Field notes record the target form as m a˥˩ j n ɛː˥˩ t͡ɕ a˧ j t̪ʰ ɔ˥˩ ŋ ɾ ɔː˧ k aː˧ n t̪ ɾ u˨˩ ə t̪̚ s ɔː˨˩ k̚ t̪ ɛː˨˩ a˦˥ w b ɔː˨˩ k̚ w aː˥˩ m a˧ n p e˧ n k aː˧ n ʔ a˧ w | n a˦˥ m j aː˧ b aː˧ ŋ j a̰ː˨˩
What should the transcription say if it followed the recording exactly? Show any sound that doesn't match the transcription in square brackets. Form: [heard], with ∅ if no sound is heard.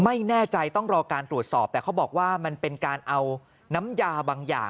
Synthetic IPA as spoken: m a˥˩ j n ɛː˥˩ t͡ɕ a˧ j [t̪] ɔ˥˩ ŋ ɾ ɔː˧ k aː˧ n t̪ ɾ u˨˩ ə t̪̚ s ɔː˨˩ [p̚] t̪ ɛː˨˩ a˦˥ w b ɔː˨˩ k̚ w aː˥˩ m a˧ n p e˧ n k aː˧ n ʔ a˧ w | n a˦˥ m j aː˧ b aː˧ ŋ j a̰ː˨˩